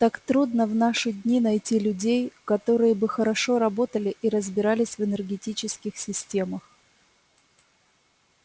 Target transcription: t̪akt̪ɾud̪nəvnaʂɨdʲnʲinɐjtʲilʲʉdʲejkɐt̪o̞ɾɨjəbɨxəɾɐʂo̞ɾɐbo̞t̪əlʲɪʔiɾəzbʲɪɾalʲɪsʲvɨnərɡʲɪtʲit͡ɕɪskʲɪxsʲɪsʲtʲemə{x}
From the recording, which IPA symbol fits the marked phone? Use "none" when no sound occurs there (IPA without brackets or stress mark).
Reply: x